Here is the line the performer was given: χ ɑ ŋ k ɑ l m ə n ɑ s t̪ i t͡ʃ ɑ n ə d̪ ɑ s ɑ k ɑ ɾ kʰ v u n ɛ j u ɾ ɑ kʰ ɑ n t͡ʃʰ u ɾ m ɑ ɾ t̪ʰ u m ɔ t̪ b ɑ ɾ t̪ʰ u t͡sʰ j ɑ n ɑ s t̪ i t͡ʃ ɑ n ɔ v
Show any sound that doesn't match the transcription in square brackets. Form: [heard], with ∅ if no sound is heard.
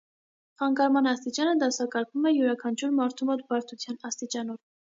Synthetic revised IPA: χ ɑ ŋ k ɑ [ɾ] m [ɑ] n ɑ s t̪ i t͡ʃ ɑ n ə d̪ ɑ s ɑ k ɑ ɾ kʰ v u [m] ɛ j u ɾ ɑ kʰ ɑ n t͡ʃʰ u ɾ m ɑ ɾ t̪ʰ u m ɔ t̪ b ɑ ɾ t̪ʰ u t͡sʰ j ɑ n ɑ s t̪ i t͡ʃ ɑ n ɔ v